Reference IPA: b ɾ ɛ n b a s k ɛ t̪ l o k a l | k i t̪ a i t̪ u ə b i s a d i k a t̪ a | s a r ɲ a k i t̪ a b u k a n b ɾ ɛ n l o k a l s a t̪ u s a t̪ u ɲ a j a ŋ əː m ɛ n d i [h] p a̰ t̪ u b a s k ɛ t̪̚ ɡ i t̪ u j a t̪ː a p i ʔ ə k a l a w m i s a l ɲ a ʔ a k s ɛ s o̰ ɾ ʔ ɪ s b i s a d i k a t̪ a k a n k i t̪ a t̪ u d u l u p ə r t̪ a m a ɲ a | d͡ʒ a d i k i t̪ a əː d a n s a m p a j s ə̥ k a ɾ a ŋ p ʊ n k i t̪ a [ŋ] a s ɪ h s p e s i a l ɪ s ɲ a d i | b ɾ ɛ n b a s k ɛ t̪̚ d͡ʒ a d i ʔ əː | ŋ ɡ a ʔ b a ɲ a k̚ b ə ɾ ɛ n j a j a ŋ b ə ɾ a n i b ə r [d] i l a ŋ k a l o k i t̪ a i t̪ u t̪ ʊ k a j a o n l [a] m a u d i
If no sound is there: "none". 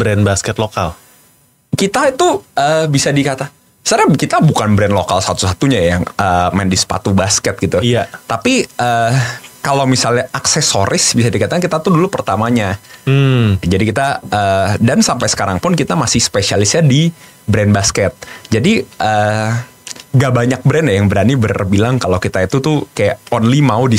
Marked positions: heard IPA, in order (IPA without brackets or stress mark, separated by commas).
s, m, b, i